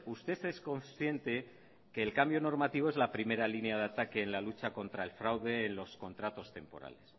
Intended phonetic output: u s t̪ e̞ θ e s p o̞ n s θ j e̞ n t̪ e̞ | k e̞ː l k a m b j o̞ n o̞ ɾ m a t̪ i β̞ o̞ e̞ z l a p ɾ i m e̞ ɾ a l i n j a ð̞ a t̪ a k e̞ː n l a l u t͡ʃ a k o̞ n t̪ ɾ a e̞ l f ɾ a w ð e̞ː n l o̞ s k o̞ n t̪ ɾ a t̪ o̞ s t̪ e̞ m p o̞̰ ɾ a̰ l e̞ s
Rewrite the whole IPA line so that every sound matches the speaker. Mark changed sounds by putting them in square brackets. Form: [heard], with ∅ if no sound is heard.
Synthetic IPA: u s t̪ e̞ θ e s [k] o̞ n s θ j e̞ n t̪ e̞ | k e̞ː l k a m b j o̞ n o̞ ɾ m a t̪ i β̞ o̞ e̞ z l a p ɾ i m e̞ ɾ a l i n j a ð̞ a t̪ a k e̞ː n l a l u t͡ʃ a k o̞ n t̪ ɾ a e̞ l f ɾ a w ð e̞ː n l o̞ s k o̞ n t̪ ɾ a t̪ o̞ s t̪ e̞ m p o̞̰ ɾ a̰ l e̞ s